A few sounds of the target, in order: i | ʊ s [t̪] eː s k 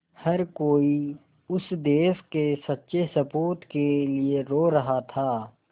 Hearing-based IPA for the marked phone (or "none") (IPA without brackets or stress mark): d̪